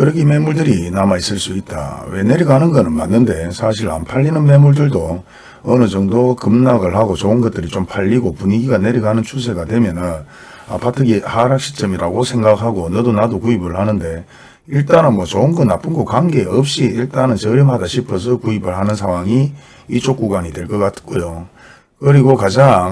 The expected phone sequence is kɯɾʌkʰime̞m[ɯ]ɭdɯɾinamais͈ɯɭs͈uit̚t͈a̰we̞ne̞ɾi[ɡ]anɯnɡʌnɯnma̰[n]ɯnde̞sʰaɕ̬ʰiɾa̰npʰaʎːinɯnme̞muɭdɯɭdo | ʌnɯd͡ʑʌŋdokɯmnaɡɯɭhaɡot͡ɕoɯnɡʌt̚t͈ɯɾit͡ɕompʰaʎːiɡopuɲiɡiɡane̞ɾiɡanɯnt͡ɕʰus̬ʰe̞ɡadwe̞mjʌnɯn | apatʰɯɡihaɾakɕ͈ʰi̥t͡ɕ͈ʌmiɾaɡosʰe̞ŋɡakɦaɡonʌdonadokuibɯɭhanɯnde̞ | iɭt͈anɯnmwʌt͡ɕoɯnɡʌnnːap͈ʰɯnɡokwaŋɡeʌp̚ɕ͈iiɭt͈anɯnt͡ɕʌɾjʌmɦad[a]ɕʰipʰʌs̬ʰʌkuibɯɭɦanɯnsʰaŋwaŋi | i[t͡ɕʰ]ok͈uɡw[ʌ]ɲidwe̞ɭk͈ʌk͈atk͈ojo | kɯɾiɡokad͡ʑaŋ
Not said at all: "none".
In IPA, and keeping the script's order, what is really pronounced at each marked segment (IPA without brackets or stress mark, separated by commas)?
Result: u, ɡ, nː, a, t͡ɕ, a